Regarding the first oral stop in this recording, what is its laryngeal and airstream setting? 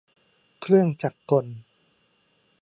aspirated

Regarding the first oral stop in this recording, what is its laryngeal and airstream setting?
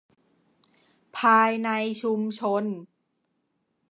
aspirated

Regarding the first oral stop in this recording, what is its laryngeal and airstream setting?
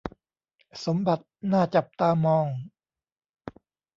plain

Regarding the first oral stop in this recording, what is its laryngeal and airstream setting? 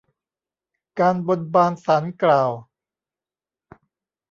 plain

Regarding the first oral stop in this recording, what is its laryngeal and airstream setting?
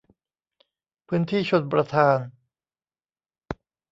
aspirated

